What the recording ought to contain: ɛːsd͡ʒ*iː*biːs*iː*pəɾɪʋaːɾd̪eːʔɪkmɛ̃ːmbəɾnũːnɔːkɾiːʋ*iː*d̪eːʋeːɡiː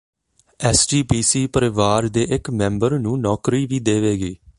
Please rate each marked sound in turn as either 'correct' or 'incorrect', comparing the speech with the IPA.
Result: correct, correct, correct

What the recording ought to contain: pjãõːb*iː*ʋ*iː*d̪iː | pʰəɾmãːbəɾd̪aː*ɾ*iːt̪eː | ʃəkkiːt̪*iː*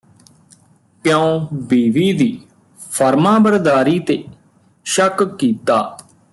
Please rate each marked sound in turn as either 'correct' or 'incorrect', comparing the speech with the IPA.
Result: correct, correct, correct, incorrect

